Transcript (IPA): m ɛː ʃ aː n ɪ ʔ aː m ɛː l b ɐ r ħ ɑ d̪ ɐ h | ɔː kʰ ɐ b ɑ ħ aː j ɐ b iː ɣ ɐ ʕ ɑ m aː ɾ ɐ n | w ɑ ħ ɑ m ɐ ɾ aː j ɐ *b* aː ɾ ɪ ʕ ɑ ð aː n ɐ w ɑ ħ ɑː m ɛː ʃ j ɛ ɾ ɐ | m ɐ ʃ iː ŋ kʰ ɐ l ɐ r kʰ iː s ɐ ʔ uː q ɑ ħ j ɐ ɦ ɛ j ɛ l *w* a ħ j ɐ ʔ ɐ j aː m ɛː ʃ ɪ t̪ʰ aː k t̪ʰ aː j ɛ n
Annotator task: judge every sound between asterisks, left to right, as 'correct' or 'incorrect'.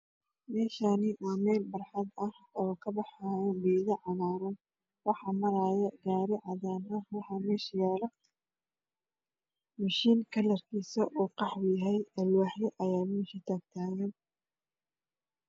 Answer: incorrect: ɡ, correct

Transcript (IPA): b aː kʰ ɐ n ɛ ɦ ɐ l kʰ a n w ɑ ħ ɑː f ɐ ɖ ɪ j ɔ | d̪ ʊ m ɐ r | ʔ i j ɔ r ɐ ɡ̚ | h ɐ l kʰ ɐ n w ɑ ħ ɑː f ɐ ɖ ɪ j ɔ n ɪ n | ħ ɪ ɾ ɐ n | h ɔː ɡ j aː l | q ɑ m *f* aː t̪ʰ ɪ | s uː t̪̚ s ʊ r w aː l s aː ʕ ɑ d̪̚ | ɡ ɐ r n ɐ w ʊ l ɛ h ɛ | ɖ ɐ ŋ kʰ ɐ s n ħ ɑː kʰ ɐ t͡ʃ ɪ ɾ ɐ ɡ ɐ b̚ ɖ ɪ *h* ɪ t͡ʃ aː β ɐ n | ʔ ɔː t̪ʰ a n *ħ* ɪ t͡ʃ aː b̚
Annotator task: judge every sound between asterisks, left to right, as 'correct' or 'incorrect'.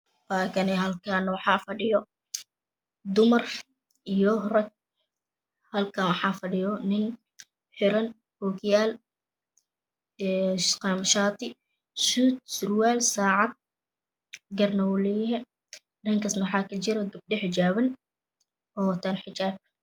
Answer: incorrect: ʃ, incorrect: ħ, correct

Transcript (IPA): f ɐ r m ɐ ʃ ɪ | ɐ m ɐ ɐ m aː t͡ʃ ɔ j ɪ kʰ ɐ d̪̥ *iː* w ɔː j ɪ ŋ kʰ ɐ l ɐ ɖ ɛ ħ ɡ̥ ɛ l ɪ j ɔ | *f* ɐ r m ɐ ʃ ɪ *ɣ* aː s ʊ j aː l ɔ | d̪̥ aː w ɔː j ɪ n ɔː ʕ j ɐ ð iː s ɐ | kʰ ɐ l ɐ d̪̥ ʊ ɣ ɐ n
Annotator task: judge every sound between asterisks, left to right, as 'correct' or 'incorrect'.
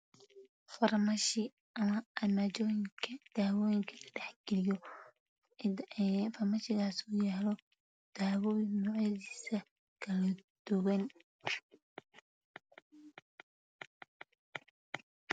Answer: incorrect: aː, correct, correct

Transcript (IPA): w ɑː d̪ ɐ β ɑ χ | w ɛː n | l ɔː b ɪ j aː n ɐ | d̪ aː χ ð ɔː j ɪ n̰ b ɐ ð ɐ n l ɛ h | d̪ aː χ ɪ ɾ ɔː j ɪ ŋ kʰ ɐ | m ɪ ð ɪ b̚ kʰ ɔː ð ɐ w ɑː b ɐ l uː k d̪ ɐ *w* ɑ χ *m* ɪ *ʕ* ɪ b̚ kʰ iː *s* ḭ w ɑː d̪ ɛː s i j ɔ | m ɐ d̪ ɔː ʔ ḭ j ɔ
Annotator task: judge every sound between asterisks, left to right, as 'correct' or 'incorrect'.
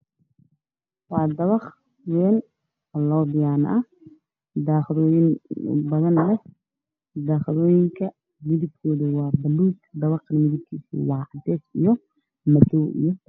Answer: incorrect: β, correct, incorrect: ð, correct

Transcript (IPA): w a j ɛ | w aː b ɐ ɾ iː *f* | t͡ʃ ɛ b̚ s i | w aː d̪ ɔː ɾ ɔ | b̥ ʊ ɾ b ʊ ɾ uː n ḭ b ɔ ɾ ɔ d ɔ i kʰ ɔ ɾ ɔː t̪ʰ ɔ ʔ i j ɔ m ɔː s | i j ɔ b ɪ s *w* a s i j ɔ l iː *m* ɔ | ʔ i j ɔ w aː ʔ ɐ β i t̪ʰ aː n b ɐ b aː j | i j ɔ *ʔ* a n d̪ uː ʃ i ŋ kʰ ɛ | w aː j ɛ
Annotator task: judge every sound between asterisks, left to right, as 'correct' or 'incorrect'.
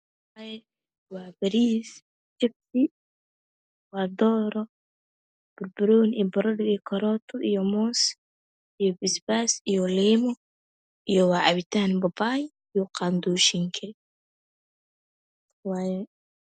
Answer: incorrect: s, incorrect: b, correct, incorrect: q

